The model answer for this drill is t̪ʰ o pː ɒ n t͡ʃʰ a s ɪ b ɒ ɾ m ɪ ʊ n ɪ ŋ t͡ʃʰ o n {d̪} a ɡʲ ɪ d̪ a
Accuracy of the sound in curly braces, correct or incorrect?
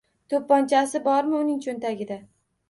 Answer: incorrect